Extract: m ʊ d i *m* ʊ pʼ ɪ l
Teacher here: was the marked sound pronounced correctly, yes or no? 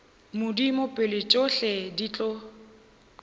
yes